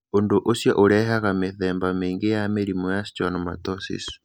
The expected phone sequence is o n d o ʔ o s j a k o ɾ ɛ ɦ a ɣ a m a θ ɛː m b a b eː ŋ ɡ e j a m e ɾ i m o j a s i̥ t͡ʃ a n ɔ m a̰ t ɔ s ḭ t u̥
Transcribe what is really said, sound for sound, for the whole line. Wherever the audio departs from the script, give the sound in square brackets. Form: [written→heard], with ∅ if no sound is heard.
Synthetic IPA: o n d o ʔ o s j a [k→ʔ] o ɾ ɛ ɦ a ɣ a m [a→e] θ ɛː m b a [b→m] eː ŋ ɡ e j a m e ɾ i m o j a s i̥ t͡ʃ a n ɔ m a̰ t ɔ s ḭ [t→s] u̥